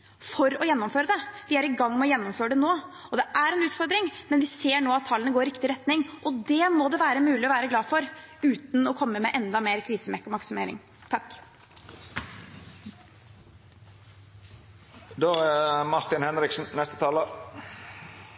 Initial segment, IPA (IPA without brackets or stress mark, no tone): f